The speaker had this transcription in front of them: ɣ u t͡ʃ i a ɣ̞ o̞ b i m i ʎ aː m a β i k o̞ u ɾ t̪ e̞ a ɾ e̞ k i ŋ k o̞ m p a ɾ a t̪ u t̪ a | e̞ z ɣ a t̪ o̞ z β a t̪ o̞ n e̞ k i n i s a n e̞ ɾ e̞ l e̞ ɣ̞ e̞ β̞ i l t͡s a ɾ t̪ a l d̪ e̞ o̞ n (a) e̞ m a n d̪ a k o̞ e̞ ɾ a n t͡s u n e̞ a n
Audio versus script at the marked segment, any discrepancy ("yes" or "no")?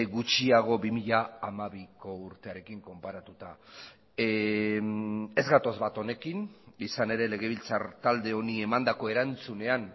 yes